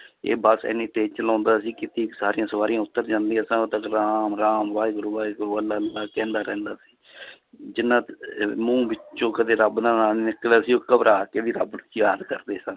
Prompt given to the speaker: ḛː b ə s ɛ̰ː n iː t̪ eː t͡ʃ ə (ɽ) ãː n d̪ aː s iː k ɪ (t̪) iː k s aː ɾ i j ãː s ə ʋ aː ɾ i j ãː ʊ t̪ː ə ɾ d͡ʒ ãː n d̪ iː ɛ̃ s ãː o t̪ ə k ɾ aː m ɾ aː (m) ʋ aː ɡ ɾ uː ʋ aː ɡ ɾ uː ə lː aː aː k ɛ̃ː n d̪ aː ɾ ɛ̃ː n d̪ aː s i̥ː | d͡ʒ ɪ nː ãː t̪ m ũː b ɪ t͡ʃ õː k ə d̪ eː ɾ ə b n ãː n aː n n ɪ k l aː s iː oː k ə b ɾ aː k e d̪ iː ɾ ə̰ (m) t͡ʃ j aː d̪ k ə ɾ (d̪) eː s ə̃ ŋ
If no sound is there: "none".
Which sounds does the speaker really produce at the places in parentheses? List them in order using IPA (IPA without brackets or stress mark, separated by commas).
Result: l, t̪, m, b, d̪